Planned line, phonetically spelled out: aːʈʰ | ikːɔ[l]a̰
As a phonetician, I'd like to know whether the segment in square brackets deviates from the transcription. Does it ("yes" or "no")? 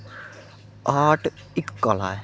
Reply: no